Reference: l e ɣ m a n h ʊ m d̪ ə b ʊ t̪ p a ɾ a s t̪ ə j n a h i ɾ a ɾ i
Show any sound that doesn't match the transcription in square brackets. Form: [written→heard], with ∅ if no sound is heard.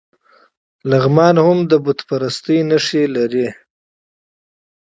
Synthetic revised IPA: l [e→a] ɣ m [a→ɑ] n h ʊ m d̪ ə b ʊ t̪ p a ɾ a s t̪ ə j n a [h→ʂ] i [ɾ→l] a ɾ i